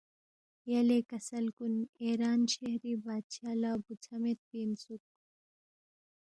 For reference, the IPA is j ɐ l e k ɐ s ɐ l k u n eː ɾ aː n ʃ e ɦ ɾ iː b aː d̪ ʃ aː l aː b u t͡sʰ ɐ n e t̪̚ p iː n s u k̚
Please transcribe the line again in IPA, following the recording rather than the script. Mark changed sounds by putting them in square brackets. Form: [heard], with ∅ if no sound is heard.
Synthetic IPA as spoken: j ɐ l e k ɐ s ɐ l k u n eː ɾ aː n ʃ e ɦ ɾ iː b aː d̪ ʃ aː l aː b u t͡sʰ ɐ [m] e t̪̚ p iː n s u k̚